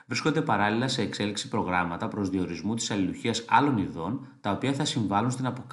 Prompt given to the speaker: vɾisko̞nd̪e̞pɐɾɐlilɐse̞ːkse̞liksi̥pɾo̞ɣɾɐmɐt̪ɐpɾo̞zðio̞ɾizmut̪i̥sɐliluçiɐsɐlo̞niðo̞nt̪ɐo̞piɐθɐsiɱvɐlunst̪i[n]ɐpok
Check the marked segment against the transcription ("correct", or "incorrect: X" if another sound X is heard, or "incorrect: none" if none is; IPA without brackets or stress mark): correct